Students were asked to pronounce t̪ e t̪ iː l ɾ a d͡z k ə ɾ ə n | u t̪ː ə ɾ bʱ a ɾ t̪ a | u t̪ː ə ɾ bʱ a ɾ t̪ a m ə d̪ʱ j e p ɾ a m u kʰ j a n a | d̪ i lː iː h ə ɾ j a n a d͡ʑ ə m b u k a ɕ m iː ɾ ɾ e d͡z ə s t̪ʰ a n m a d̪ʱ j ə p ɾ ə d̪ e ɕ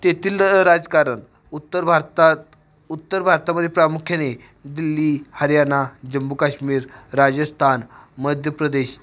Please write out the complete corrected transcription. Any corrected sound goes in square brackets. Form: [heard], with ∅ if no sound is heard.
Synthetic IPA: t̪ e t̪ iː l ɾ a d͡z k [a] ɾ ə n | u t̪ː ə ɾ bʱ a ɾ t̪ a | u t̪ː ə ɾ bʱ a ɾ t̪ a m ə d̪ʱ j e p ɾ a m u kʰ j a n [e] | d̪ i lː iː h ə ɾ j a n a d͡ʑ ə m b u k a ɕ m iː ɾ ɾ [a] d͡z ə s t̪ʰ a n m [ə] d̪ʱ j ə p ɾ ə d̪ e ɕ